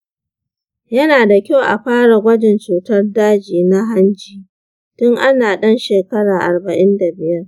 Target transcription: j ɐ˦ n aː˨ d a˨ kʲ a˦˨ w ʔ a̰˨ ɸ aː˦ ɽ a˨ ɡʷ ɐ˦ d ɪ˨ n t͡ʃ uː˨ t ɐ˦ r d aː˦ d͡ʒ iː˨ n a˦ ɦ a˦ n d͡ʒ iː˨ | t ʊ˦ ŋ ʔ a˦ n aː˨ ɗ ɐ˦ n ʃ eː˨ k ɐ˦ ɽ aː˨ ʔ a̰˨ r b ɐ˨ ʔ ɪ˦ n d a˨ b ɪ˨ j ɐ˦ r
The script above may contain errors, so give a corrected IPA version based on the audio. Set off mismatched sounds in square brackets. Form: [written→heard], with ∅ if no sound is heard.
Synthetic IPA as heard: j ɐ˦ n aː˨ d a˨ kʲ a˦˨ w ʔ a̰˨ ɸ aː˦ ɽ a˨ ɡʷ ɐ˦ [d→d͡ʒ] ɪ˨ n t͡ʃ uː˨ t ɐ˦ r d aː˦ d͡ʒ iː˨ n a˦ ɦ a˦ n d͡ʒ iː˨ | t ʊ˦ ŋ ʔ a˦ n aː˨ ɗ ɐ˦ n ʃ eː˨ k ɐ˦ ɽ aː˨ ʔ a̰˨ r b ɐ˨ ʔ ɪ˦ n d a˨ b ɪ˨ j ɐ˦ r